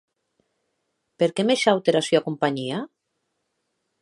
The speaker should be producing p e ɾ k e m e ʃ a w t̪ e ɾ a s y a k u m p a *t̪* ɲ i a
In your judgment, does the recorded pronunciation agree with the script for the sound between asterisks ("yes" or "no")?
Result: no